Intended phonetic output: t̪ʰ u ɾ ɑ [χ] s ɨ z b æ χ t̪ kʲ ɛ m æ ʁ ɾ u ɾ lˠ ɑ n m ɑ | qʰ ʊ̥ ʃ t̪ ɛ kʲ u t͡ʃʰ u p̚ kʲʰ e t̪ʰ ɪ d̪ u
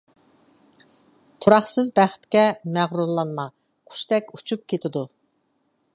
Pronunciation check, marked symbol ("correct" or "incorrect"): correct